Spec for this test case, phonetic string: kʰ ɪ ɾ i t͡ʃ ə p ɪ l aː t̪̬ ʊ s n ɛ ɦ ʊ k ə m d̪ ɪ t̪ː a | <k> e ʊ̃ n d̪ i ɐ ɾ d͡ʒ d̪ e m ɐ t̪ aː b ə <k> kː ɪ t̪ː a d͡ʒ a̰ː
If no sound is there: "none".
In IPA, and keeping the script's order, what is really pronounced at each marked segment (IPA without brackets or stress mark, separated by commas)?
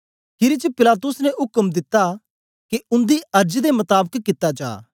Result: k, k